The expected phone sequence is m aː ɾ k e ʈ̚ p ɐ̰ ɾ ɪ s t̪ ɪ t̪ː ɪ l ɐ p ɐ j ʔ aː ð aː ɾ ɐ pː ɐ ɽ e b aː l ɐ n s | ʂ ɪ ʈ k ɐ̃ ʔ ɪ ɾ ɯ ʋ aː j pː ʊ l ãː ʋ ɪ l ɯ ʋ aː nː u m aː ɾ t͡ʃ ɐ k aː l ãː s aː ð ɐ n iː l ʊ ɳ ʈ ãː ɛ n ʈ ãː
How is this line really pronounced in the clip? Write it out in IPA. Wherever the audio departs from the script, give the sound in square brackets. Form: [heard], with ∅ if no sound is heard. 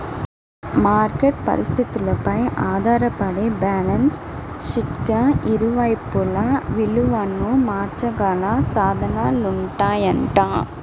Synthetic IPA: m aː ɾ k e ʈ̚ p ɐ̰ ɾ ɪ s t̪ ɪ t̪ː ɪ l ɐ p ɐ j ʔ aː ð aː ɾ ɐ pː ɐ ɽ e b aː l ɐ n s | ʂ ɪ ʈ k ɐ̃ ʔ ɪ ɾ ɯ ʋ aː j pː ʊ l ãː ʋ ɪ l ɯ ʋ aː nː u m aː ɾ t͡ʃ ɐ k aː l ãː s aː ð ɐ n [aː] l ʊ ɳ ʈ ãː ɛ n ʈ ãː